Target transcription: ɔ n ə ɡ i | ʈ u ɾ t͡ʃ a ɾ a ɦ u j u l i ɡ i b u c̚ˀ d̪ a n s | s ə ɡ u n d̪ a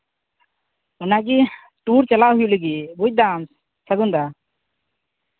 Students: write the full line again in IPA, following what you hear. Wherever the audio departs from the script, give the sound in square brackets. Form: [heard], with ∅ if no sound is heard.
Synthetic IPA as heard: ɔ n [a] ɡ i | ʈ u ɾ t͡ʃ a [l] a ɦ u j u l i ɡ i b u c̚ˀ d̪ a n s | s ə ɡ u n d̪ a